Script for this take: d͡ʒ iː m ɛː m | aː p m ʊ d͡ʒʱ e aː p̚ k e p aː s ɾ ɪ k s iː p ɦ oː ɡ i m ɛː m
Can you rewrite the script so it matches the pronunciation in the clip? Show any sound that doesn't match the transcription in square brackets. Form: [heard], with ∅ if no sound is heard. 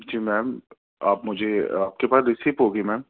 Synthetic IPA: d͡ʒ iː m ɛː m | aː p m ʊ d͡ʒʱ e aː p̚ k e p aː s ɾ ɪ [∅] s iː p ɦ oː ɡ i m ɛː m